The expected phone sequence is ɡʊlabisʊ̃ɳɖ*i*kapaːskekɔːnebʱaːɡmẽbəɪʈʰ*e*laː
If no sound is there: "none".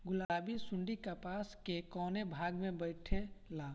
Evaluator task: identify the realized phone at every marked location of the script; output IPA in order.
i, e

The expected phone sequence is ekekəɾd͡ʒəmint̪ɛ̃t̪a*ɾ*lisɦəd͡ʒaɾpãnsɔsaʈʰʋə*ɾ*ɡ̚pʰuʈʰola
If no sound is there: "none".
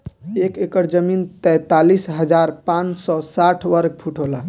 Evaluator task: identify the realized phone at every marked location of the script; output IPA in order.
none, ɾ

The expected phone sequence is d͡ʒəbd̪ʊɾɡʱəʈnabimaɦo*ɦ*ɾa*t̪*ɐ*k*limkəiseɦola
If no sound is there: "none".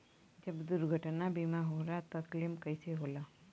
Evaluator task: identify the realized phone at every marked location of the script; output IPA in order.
none, t̪, k

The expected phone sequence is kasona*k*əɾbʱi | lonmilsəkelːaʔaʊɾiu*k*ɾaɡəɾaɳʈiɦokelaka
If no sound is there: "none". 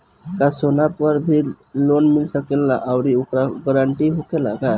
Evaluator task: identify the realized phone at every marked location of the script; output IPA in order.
p, k

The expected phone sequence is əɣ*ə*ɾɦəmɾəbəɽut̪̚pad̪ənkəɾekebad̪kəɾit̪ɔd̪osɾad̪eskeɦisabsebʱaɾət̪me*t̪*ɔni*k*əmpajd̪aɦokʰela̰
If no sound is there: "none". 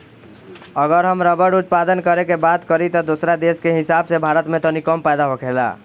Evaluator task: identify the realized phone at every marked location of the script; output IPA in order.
ə, t̪, k

